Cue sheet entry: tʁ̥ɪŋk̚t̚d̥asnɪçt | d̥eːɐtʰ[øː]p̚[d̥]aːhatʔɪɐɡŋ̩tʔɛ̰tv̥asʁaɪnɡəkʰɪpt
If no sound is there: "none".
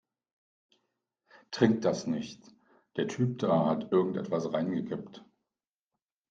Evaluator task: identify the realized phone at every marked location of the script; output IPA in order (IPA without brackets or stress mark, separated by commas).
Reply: yː, d̥